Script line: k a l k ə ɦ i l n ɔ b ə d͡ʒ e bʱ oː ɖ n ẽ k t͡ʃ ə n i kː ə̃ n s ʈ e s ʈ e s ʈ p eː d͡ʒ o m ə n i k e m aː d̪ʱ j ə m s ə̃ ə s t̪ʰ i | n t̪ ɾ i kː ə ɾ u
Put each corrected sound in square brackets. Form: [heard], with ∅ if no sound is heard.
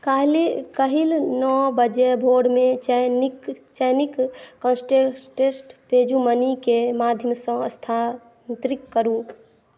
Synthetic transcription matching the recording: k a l k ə ɦ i l n ɔ b ə d͡ʒ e bʱ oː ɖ [m] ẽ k t͡ʃ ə n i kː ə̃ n s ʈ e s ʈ e s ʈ p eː d͡ʒ [u] m ə n i k e m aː d̪ʱ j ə m s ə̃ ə s t̪ʰ [a] | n t̪ ɾ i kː ə ɾ u